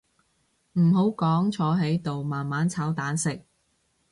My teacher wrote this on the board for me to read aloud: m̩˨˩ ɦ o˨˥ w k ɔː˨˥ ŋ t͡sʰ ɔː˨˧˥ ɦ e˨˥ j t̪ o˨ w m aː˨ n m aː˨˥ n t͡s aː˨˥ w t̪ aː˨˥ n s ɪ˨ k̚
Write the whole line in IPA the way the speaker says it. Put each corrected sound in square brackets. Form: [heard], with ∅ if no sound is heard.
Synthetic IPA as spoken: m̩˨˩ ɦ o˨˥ w k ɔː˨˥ ŋ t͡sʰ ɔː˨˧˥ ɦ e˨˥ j t̪ o˨ w m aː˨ n m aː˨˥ n [t͡sʰ] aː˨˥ w t̪ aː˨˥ n s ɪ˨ k̚